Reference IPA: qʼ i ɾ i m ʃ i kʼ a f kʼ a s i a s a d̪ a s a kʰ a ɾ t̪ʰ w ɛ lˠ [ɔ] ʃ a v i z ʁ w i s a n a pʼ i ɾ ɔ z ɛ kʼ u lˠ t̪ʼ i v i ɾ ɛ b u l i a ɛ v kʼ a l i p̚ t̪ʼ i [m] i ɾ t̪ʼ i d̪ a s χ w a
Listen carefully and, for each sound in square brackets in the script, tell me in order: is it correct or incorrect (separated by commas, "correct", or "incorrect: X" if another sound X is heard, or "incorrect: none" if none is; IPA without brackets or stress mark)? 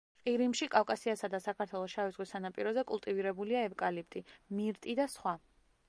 correct, correct